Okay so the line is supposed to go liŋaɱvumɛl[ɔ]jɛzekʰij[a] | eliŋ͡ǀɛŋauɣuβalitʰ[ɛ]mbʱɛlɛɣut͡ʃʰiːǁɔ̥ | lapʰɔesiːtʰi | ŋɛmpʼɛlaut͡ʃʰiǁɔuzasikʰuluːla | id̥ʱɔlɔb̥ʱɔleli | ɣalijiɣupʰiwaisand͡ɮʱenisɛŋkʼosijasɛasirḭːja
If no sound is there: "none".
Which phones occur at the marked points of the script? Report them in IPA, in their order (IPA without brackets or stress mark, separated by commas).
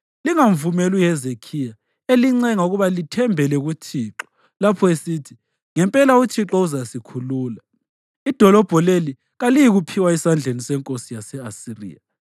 u, a, ɛ